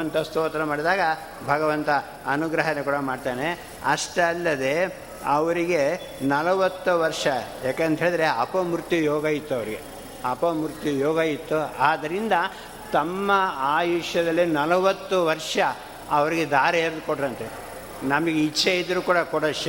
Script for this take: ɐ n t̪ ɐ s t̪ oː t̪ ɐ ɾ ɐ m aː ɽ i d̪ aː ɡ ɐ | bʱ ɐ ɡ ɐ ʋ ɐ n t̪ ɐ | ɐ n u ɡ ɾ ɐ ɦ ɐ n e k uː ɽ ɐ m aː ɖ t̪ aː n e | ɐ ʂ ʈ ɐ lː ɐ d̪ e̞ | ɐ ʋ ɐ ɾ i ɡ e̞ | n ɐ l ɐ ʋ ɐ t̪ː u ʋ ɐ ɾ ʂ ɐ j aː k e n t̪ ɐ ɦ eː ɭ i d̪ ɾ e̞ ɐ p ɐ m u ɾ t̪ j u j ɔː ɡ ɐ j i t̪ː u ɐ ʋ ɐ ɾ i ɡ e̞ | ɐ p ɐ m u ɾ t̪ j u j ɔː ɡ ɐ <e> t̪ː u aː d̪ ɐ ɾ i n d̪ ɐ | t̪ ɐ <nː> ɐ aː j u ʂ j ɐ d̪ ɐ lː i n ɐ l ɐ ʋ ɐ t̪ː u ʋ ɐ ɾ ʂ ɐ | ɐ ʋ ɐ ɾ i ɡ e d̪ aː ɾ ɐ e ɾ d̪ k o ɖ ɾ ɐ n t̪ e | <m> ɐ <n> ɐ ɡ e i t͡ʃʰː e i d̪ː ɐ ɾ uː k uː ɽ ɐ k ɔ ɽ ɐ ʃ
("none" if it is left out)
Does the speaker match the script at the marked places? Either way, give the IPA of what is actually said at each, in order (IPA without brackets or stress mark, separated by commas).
i, mː, n, m